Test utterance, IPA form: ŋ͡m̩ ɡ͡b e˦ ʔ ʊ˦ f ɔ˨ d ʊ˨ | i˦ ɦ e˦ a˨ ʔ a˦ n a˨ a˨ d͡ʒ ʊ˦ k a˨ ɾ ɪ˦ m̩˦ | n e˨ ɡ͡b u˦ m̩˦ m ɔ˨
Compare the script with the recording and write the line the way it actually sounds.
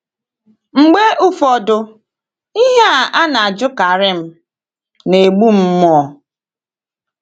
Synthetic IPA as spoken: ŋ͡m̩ ɡ͡b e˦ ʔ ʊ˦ f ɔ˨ d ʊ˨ | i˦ ɦ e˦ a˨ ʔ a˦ n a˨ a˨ d͡ʒ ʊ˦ k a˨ ɾ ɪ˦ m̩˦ | n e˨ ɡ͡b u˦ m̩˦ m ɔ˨

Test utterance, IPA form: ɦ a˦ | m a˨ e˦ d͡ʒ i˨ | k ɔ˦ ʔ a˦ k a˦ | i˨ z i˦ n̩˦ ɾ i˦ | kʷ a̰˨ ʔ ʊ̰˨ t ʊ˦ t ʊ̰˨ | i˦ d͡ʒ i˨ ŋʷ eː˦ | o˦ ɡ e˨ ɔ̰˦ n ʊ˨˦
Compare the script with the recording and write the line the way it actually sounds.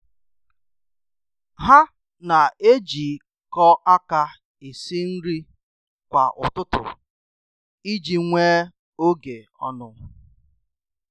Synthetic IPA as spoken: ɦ a˦ | n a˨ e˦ d͡ʒ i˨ | k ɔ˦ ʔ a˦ k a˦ | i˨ s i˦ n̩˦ ɾ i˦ | kʷ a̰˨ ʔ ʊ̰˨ t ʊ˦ t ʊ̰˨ | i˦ d͡ʒ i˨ ŋʷ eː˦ | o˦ ɡ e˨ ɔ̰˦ n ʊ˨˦

